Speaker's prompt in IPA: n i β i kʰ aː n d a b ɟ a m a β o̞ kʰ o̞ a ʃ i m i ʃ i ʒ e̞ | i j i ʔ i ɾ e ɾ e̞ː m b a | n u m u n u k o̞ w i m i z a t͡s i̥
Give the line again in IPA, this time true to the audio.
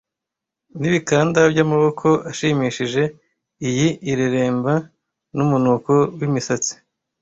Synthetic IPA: n i β i k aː n d a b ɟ a m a β o̞ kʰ o̞ a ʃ i m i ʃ i ʒ e̞ | i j i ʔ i ɾ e ɾ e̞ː m b a | n u m u n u k o̞ w i m i s a t͡s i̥

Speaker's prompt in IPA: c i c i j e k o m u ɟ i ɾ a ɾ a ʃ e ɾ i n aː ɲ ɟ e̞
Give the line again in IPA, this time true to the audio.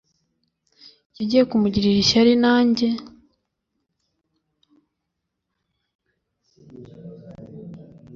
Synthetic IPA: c i ɟ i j e k u m u ɟ i ɾ i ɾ i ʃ a ɾ i n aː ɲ ɟ e̞

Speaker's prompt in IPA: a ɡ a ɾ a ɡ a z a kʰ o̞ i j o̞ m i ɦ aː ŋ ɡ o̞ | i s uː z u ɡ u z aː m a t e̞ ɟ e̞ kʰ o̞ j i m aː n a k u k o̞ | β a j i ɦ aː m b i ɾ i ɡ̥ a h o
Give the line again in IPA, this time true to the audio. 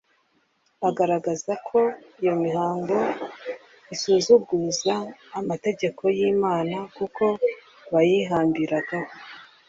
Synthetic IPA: a ɡ a ɾ a ɡ a z a kʰ o̞ i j o̞ m i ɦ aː ŋ ɡ o̞ | i s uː z u ɡ u z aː m a t e̞ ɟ e̞ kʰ o̞ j i m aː n a k u k o̞ | β a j i ɦ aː m b i ɾ a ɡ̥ a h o

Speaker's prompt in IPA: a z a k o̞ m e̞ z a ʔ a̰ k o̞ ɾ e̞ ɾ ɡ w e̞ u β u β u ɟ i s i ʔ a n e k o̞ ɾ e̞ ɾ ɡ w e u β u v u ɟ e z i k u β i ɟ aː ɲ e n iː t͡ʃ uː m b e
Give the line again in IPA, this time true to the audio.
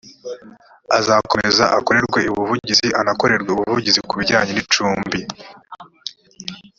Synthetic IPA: a z a k o̞ m e̞ z a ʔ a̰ k o̞ ɾ e̞ ɾ ɡ w e̞ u β u v u ɟ i z i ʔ a n a k o̞ ɾ e̞ ɾ ɡ w e u β u v u ɟ i z i k u β i ɟ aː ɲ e n i t͡ʃ uː m b i

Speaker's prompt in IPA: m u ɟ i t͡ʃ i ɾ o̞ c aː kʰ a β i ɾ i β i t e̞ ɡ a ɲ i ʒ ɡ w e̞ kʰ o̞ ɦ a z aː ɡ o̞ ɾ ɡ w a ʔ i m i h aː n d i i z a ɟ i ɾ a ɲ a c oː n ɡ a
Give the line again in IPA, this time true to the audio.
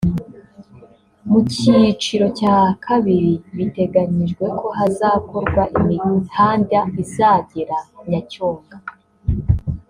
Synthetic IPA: m u c i t͡ʃ i ɾ o̞ c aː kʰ a β i ɾ i β i t e̞ ɡ a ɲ i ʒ ɡ w e̞ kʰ o̞ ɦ a z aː k o̞ ɾ ɡ w a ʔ i m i h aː n d a i z a ɟ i ɾ a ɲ a c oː ŋ ɡ a

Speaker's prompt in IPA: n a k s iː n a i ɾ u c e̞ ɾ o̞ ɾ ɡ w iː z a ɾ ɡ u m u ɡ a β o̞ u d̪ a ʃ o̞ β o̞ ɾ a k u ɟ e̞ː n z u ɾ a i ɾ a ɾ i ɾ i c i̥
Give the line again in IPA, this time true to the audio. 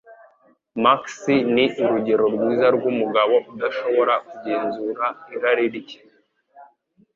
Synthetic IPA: m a k s i n i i ɾ u ɟ e̞ ɾ o̞ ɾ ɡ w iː z a ɾ ɡ u m u ɡ a β o̞ u d̪ a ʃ o̞ β o̞ ɾ a k u ɟ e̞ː n z u ɾ a i ɾ a ɾ i ɾ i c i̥

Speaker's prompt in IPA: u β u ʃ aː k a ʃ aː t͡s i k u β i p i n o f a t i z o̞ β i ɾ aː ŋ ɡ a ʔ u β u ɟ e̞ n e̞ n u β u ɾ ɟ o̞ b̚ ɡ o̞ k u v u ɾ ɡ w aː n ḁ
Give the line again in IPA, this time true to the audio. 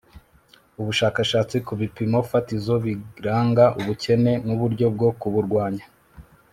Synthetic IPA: u β u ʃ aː k a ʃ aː t͡s i k u β i p i m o f a t i z o̞ β i ɾ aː ŋ ɡ a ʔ u β u c e̞ n e̞ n u β u ɾ ɟ o̞ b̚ ɡ o̞ k u β u ɾ ɡ w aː ɲ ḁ

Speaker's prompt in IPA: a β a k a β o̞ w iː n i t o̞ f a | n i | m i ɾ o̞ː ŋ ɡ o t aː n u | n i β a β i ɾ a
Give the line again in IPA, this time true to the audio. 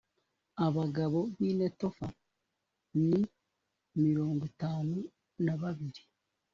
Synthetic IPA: a β a ɡ a β o̞ β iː n e t o̞ f a | n i | m i ɾ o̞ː ŋ ɡ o t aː n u | n a β a β i ɾ i

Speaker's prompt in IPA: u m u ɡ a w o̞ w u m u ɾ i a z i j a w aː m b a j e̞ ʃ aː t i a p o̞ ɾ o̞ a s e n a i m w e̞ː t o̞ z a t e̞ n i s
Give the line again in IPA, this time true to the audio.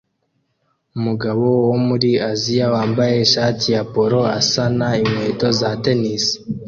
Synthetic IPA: u m u ɡ a β o̞ w o m u ɾ i a z i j a w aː m b a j e̞ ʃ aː t i a p o̞ ɾ o̞ a s a n a i m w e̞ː t o̞ z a t e̞ n i s

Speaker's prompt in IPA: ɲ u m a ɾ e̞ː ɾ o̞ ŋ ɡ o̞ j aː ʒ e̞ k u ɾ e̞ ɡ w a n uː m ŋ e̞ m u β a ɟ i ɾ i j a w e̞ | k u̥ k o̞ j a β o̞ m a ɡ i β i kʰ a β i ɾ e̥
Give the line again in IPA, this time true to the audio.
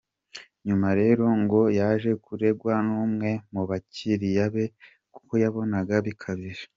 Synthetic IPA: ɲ u m a ɾ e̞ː ɾ o̞ ŋ ɡ o̞ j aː ʒ e̞ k u ɾ e̞ ɡ w a n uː m ŋ e̞ m u β a c i ɾ i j a β e̞ | k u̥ k o̞ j a β o̞ n a ɡ a β i kʰ a β i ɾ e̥

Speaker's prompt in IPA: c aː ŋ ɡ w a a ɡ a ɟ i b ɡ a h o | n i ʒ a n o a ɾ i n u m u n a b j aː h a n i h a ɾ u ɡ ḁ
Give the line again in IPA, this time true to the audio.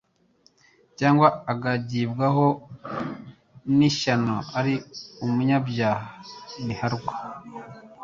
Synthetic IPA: c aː ŋ ɡ w a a ɡ a ɟ i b ɡ a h o | n i ʃ a n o a ɾ i u m u ɲ a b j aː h a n i h a ɾ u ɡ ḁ

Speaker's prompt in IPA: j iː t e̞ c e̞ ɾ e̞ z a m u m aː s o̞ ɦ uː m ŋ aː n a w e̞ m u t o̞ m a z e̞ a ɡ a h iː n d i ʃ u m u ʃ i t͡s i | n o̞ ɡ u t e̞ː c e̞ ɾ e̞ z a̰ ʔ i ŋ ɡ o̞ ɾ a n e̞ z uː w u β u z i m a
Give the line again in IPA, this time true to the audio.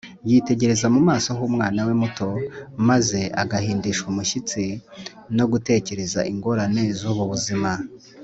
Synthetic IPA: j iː t e̞ ɟ e̞ ɾ e̞ z a m u m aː s o̞ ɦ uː m ŋ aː n a w e̞ m u t o̞ m a z e̞ a ɡ a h iː n d i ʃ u m u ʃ i t͡s i | n o̞ ɡ u t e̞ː c e̞ ɾ e̞ z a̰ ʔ i ŋ ɡ o̞ ɾ a n e̞ z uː β u β u z i m a

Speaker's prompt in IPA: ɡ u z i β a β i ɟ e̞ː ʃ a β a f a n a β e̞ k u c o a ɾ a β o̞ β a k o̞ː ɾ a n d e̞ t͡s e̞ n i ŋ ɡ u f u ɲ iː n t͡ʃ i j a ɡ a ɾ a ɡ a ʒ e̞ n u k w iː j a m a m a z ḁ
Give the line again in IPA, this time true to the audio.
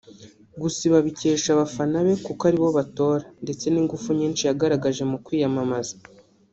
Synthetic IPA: ɡ u s i β a β i c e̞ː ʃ a β a f a n a β e̞ k u k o a ɾ i β o̞ β a t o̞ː ɾ a n d e̞ t͡s e̞ n i ŋ ɡ u f u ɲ iː n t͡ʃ i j a ɡ a ɾ a ɡ a ʒ e̞ m u k w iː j a m a m a z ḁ

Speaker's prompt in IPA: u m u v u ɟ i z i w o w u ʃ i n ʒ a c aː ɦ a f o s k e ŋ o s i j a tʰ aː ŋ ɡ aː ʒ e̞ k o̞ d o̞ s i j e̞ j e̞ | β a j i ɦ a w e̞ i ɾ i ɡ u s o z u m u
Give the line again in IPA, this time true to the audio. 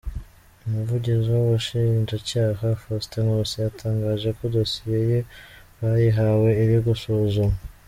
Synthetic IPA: u m u v u ɟ i z i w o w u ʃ i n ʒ a c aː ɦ a f o s t e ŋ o s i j a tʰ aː ŋ ɡ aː ʒ e̞ k o̞ d o̞ s i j e̞ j e̞ | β a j i ɦ a w e̞ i ɾ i ɡ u s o z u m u

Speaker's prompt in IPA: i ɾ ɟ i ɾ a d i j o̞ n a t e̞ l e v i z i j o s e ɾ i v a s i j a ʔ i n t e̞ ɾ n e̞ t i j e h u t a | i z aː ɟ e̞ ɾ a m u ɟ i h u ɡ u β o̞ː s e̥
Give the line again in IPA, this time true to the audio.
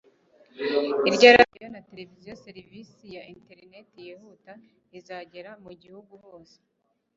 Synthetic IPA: i ɾ ɟ a ɾ a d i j o̞ n a t e̞ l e v i z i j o s e ɾ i v i s i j a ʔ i n t e̞ ɾ n e̞ t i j e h u t a | i z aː ɟ e̞ ɾ a m u ɟ i h u ɡ u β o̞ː s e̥

